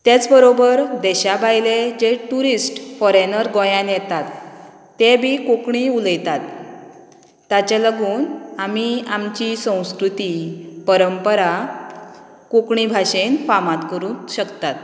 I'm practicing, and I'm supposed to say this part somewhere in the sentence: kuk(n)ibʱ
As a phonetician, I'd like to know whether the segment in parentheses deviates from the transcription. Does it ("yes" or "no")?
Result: yes